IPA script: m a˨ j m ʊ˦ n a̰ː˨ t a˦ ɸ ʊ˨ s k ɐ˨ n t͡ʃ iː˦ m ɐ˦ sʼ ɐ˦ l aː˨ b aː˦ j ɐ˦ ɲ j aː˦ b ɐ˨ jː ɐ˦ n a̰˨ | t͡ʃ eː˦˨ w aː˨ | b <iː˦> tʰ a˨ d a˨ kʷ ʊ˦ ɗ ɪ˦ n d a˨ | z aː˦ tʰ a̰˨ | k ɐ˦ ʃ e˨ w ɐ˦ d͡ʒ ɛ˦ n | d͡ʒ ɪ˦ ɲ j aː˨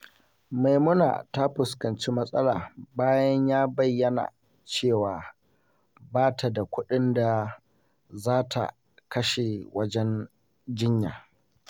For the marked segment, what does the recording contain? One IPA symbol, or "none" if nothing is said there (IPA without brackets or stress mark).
aː˦